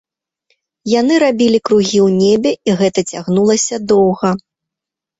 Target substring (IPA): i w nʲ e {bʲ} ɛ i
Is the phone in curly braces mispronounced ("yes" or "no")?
no